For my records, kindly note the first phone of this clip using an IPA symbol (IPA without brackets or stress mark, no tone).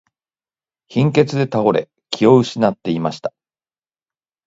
ç